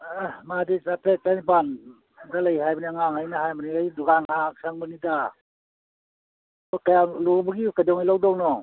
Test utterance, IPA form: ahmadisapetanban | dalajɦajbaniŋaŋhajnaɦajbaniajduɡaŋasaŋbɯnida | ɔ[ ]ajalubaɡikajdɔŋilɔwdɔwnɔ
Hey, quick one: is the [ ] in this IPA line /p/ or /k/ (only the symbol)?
k